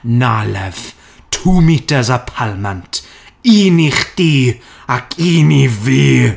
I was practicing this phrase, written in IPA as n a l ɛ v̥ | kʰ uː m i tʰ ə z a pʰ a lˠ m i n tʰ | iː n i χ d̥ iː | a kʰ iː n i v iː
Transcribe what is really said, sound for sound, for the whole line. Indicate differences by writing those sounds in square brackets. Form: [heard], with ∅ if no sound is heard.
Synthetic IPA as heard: n a l ɛ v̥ | [tʰ] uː m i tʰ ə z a pʰ a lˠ m [a] n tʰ | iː n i χ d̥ iː | a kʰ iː n i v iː